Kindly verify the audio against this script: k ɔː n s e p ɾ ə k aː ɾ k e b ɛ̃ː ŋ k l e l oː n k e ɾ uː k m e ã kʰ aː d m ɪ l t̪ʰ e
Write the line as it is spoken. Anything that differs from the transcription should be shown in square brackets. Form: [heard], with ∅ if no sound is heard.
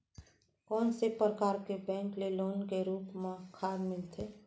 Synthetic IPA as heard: k ɔː n s e p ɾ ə k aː ɾ k e b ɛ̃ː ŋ k l e l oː n k e ɾ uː [p] m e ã kʰ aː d m ɪ l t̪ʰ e